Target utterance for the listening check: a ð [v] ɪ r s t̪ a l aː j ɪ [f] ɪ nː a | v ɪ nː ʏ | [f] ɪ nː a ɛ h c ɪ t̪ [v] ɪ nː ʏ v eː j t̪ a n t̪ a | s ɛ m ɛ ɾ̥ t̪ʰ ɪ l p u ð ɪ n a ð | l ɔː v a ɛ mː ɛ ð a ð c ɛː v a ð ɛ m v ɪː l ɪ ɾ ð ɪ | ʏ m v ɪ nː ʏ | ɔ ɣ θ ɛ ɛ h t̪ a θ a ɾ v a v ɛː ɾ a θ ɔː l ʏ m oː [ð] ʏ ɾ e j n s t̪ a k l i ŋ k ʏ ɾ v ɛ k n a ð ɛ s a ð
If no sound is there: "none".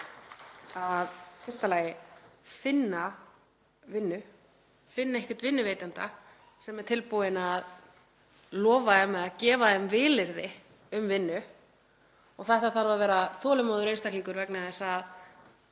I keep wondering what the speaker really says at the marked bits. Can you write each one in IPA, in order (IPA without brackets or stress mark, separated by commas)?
f, f, f, v, ð